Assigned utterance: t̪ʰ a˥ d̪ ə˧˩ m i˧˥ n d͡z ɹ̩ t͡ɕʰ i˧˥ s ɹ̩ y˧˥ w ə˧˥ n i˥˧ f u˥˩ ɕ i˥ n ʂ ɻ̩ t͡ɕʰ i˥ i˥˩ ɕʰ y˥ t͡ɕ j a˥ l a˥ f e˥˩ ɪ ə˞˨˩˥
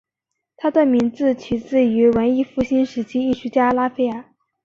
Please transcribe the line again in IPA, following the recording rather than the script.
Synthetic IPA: t̪ʰ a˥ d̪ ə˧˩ m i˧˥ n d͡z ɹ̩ t͡ɕʰ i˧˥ t͡s ɹ̩ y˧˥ w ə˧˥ n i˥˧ f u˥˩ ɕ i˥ n ʂ ɻ̩ t͡ɕʰ i˥ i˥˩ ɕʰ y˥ t͡ɕ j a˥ l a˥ f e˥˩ ɪ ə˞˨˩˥